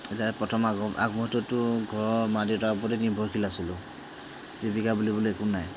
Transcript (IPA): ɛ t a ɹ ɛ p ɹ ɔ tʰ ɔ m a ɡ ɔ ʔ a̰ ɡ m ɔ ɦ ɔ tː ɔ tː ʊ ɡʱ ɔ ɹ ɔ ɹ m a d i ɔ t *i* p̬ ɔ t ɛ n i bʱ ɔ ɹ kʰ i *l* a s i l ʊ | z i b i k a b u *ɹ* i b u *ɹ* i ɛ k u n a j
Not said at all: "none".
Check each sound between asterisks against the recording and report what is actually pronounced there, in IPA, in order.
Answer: a, l, l, l

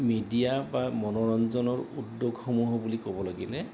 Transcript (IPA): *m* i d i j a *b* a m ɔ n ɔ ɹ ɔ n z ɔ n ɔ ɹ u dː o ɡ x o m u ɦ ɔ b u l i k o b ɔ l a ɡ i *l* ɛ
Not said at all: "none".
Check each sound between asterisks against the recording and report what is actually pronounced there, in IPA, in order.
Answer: m, b, l

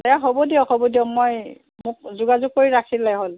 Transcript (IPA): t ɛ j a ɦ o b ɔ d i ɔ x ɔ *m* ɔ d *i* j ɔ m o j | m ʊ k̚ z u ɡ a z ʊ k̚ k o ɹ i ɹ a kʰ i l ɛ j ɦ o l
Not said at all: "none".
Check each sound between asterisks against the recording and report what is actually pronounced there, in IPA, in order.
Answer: b, i

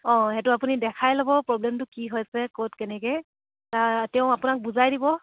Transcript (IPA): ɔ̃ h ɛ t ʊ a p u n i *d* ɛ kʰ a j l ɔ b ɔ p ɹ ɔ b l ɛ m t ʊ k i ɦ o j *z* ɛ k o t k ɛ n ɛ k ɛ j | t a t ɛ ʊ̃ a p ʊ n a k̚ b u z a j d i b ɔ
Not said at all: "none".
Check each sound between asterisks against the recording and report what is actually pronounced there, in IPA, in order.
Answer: d, s

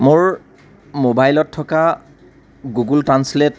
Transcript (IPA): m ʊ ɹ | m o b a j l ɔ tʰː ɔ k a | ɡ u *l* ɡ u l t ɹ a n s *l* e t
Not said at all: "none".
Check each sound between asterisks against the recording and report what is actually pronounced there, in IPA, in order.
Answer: none, l

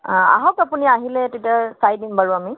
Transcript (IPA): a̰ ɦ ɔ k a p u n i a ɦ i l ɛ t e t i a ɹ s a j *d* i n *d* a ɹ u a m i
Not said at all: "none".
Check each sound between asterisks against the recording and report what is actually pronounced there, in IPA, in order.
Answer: d, b

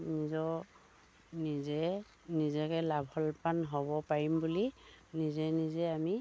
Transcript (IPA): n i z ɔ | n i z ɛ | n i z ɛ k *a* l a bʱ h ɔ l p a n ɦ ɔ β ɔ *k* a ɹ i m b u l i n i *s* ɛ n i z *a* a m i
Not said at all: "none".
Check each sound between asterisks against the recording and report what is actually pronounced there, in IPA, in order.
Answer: ɛ, p, z, ɛ

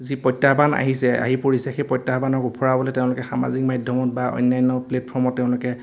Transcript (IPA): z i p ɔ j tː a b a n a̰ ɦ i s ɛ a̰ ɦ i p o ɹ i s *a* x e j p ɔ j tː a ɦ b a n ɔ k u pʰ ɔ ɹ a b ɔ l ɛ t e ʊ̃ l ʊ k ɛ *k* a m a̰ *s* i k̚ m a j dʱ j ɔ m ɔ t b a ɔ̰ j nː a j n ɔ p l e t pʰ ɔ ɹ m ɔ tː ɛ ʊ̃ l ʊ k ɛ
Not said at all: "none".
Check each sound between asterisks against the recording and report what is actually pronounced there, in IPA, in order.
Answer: ɛ, x, z

